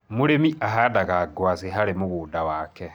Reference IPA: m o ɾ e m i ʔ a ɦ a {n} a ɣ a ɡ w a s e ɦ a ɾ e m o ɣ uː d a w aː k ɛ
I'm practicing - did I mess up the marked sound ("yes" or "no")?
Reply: yes